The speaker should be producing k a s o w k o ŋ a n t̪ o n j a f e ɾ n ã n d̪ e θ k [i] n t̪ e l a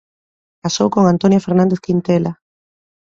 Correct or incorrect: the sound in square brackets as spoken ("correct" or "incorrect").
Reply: correct